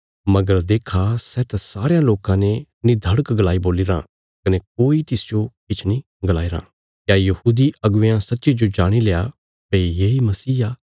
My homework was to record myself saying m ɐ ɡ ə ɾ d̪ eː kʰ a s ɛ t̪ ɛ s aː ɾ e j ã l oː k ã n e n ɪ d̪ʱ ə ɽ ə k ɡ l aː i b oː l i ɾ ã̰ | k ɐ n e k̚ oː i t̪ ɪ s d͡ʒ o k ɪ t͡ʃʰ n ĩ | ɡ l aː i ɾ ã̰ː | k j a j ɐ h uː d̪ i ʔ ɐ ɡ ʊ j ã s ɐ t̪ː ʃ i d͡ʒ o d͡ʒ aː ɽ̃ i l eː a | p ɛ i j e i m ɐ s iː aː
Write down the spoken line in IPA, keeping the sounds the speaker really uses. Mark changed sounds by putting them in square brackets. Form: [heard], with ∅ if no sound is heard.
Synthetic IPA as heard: m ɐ ɡ ə ɾ d̪ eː kʰ a s ɛ t̪ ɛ s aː ɾ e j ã l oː k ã n e n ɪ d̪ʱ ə ɽ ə k ɡ l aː i b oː l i ɾ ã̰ | k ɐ n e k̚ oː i t̪ ɪ s d͡ʒ o k ɪ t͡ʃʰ n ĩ | ɡ l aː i ɾ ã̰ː | k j a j ɐ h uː d̪ i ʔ ɐ ɡ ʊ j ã s ɐ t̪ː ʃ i d͡ʒ o d͡ʒ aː ɽ̃ i l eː a | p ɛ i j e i m ɐ s iː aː